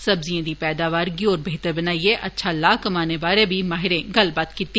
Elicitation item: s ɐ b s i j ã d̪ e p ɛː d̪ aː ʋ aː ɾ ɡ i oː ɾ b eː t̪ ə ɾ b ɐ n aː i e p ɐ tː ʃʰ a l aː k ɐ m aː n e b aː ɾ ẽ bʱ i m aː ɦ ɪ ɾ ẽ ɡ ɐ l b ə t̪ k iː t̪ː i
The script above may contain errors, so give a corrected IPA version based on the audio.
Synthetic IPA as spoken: s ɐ b z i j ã d̪ i p ɛː d̪ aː ʋ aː ɾ ɡ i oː ɾ b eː t̪ ə ɾ b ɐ n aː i e ʔ ɐ tː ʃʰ a l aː k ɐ m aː n e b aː ɾ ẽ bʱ i m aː ɦ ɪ ɾ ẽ ɡ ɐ l b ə t̪ k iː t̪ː i